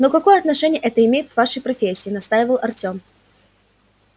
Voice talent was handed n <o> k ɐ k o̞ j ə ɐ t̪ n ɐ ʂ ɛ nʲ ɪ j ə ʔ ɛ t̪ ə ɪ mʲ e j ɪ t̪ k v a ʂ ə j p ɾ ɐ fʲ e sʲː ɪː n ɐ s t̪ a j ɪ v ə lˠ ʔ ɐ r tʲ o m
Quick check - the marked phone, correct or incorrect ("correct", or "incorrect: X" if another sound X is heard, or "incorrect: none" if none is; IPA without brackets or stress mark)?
correct